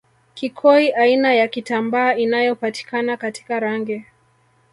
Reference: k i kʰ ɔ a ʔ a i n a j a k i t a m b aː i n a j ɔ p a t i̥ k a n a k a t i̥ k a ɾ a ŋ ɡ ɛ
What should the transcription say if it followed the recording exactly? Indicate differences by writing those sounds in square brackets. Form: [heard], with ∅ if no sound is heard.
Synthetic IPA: k i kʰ ɔ [i] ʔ a i n a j a k i t a m b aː i n a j ɔ p a t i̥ k a n a k a t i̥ k a ɾ a ŋ ɡ ɛ